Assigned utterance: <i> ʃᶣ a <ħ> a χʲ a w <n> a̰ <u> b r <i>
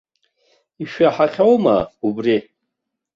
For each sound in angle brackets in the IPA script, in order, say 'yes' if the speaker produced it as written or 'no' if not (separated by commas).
yes, yes, no, yes, yes